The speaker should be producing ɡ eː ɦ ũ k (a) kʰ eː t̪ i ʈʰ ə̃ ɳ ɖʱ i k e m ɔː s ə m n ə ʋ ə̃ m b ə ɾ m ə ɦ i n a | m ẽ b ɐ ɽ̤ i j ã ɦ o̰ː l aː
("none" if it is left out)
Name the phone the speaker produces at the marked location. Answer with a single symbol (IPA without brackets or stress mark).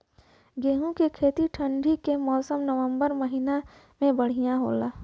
e